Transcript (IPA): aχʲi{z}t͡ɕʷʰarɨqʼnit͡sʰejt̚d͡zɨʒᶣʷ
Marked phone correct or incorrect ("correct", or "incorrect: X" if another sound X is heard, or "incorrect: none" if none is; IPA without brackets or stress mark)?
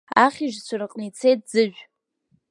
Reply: incorrect: ʒ